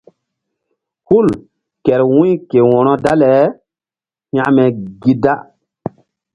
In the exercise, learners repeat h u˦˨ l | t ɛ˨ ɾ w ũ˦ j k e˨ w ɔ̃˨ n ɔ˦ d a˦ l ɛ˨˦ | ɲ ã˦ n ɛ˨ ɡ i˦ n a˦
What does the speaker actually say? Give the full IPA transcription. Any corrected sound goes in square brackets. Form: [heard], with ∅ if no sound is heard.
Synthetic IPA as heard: h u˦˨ l | [k] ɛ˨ ɾ w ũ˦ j k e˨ w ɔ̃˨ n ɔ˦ d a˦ l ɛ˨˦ | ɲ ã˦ [m] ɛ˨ ɡ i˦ [d] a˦